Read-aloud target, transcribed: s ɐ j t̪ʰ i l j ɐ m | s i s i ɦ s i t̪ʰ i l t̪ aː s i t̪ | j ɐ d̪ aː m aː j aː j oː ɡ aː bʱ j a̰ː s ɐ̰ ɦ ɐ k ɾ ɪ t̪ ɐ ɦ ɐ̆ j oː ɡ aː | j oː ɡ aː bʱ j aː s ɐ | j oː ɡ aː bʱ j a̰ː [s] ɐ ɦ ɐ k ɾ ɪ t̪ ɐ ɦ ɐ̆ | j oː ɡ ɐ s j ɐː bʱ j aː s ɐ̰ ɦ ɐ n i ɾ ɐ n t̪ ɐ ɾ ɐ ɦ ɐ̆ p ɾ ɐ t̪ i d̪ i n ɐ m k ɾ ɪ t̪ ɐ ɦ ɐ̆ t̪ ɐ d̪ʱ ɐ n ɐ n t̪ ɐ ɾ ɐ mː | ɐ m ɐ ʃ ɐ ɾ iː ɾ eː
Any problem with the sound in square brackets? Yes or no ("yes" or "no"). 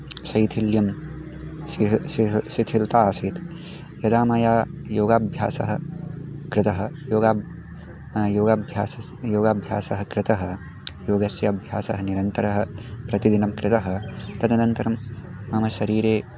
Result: no